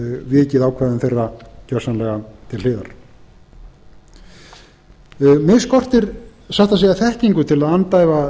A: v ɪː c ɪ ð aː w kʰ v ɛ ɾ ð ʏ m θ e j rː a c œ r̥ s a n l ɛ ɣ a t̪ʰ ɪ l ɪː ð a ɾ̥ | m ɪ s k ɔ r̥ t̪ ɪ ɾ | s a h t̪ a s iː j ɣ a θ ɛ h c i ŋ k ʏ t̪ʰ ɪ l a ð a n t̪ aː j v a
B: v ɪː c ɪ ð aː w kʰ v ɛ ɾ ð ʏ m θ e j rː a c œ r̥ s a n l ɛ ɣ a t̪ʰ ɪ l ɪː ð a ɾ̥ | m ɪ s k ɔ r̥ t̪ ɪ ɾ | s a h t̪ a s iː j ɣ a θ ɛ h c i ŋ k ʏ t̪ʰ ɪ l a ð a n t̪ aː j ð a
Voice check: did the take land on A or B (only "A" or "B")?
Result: A